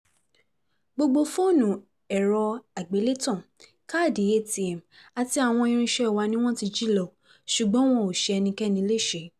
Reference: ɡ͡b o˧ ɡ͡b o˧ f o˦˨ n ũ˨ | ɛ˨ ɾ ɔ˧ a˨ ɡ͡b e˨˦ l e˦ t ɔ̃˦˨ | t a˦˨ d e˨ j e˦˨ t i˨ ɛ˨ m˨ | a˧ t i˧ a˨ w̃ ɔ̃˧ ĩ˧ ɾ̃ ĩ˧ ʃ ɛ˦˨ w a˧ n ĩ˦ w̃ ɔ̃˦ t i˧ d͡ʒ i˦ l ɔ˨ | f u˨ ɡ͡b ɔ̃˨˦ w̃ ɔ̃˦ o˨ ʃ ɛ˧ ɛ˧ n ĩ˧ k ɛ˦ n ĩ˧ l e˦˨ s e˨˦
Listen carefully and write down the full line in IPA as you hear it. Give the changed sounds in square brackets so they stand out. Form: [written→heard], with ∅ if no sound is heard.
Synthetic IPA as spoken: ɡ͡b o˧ ɡ͡b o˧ f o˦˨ n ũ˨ | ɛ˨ ɾ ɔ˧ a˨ ɡ͡b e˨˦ l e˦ t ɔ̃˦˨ | [t→k] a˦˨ d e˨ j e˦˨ t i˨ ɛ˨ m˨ | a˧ t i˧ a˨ w̃ ɔ̃˧ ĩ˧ ɾ̃ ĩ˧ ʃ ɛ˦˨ w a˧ n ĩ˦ w̃ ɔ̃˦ t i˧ d͡ʒ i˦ l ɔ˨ | [f→ʃ] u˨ ɡ͡b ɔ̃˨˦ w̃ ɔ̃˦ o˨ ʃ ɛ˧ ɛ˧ n ĩ˧ k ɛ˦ n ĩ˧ l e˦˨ [s→ʃ] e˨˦

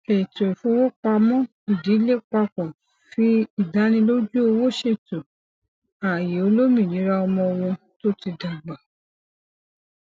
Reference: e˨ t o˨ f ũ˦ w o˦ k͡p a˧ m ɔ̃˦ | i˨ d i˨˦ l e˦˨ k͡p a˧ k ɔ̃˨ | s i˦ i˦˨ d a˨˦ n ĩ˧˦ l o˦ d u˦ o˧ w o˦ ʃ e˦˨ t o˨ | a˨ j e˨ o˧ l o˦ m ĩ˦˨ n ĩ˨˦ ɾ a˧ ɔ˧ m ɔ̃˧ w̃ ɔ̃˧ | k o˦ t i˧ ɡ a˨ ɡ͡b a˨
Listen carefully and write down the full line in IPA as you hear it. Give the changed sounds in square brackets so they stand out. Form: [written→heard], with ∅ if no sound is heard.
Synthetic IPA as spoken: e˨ t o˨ f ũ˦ w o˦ k͡p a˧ m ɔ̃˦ | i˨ d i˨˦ l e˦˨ k͡p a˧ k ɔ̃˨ | [s→f] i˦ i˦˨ d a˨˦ n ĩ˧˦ l o˦ [d→d͡ʒ] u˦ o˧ w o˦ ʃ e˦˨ t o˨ | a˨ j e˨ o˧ l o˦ m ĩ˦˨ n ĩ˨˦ ɾ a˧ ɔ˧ m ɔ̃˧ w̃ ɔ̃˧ | [k→t] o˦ t i˧ [ɡ→d] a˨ ɡ͡b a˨

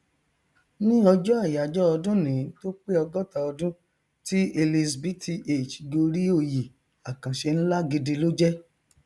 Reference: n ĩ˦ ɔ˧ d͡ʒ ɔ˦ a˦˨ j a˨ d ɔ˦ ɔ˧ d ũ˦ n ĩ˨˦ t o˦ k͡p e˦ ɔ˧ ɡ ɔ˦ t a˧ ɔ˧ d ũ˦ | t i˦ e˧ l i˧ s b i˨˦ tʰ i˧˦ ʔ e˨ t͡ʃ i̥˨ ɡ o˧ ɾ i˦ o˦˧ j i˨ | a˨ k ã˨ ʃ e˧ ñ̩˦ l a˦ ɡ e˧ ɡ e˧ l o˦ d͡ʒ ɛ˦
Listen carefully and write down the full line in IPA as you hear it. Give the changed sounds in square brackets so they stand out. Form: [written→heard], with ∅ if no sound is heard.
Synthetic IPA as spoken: n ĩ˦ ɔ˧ d͡ʒ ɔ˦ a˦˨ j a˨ [d→d͡ʒ] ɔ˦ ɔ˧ d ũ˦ n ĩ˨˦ t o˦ k͡p e˦ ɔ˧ ɡ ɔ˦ t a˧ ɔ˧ d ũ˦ | t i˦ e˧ l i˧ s b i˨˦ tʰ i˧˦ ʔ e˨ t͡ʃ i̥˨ ɡ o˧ ɾ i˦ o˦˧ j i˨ | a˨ k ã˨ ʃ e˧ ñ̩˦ l a˦ ɡ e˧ [ɡ→d] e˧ l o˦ d͡ʒ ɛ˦

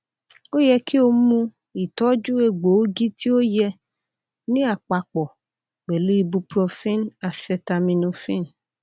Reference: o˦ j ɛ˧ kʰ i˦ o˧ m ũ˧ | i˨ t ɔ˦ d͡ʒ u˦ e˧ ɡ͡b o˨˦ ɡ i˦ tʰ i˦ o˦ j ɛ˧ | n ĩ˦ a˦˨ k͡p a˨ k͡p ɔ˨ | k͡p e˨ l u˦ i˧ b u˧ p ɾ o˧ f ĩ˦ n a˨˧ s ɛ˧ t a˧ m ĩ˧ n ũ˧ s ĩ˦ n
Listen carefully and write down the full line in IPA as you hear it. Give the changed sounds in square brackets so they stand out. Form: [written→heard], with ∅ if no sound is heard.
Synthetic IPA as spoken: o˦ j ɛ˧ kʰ i˦ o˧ m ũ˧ | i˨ t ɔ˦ d͡ʒ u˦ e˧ ɡ͡b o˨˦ ɡ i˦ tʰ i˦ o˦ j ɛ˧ | n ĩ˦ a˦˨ k͡p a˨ k͡p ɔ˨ | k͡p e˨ l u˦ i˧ b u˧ p ɾ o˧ f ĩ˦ n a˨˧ s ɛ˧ t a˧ m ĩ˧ n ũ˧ [s→f] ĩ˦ n

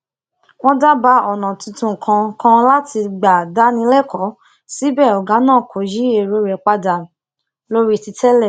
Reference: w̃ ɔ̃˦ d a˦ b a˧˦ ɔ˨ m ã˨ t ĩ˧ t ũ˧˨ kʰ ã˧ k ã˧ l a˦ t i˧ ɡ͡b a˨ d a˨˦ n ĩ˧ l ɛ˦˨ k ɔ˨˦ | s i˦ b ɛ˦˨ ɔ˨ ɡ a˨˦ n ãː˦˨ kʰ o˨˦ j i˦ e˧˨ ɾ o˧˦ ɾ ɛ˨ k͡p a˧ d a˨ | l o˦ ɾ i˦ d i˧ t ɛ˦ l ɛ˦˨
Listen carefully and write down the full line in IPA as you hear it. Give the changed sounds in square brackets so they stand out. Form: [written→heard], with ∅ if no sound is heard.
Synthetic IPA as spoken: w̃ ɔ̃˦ d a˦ b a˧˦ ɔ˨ [m→n] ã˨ t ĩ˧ t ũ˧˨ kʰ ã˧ k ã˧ l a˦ t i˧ ɡ͡b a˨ d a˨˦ n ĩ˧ l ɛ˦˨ k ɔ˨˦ | s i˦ b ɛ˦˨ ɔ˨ ɡ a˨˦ n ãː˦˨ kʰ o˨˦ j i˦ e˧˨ ɾ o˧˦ ɾ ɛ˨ k͡p a˧ d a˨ | l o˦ ɾ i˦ [d→t] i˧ t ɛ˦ l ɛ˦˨

